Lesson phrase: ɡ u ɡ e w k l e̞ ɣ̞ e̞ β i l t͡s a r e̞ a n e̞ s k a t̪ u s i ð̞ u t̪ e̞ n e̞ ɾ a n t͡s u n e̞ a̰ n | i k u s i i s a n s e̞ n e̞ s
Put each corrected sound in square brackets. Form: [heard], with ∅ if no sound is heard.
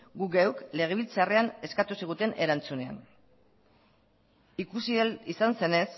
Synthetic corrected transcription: ɡ u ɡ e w k l e̞ ɣ̞ e̞ β i l t͡s a r e̞ a n e̞ s k a t̪ u s i [ɣ̞] u t̪ e̞ n e̞ ɾ a n t͡s u n e̞ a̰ n | i k u s i i s a n s e̞ n e̞ s